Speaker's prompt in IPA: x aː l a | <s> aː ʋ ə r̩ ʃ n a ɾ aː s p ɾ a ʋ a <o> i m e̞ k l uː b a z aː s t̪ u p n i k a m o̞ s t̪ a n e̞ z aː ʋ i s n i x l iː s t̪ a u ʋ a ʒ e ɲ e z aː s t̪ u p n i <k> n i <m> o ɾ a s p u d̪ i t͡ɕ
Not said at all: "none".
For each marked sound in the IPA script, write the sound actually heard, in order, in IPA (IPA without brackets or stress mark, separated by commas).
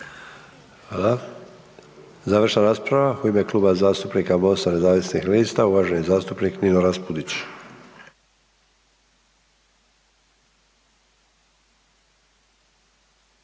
z, u, k, n